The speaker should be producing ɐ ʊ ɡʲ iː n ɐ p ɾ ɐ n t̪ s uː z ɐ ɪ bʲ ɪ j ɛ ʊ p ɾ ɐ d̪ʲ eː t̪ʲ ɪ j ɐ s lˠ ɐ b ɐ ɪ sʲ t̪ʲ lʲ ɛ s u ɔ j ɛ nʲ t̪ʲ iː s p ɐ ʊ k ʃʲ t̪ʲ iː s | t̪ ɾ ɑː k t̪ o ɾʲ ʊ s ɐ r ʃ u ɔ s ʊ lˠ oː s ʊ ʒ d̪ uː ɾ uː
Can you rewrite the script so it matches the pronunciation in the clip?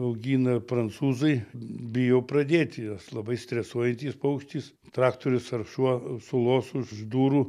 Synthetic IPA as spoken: ɐ ʊ ɡʲ iː n ɐ p ɾ ɐ n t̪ s uː z ɐ ɪ bʲ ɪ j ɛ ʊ p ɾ ɐ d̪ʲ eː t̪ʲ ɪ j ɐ s lˠ ɐ b ɐ ɪ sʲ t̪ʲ ɾʲ ɛ s u ɔ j ɛ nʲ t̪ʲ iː s p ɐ ʊ k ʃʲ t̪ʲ iː s | t̪ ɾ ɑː k t̪ o ɾʲ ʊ s ɐ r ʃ u ɔ s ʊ lˠ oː s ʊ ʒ d̪ uː ɾ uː